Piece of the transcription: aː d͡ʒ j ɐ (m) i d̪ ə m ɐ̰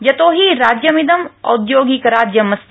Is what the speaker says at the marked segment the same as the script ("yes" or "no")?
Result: yes